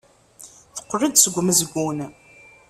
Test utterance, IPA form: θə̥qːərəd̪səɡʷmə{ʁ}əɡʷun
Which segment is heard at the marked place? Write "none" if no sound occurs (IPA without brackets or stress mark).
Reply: z